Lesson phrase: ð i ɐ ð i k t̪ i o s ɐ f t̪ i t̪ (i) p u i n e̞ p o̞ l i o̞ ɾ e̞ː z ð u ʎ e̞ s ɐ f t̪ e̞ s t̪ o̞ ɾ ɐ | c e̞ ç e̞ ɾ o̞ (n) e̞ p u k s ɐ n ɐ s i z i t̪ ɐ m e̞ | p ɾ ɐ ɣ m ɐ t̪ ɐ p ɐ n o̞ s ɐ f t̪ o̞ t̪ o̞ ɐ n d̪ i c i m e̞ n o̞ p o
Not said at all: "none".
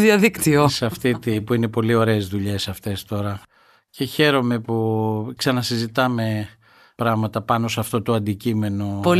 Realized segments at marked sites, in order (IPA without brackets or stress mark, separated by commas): i, m